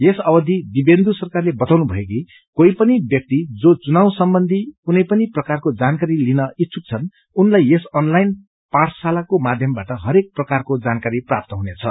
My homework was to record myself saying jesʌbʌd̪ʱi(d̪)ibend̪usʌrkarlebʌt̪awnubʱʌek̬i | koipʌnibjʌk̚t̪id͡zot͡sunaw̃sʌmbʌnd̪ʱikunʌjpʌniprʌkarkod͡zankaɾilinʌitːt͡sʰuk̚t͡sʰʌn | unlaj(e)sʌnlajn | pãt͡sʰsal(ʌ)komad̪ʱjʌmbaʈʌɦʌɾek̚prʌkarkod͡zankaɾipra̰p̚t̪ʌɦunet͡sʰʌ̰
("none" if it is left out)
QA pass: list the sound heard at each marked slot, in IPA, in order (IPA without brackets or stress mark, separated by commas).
d̪, e, a